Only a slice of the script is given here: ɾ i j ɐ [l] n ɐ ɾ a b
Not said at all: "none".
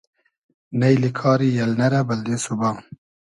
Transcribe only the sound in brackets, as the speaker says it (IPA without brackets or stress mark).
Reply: l